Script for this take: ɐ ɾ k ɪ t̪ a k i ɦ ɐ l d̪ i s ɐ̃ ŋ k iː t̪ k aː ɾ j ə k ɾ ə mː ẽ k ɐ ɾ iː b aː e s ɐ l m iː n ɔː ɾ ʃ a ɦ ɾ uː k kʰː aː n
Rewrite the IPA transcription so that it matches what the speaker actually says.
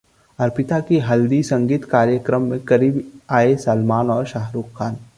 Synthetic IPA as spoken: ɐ ɾ p ɪ t̪ a k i ɦ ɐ l d̪ i s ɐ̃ ŋ ɡ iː t̪ k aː ɾ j ə k ɾ ə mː ẽ k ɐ ɾ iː b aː e s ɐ l m aː n ɔː ɾ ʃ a ɦ ɾ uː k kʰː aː n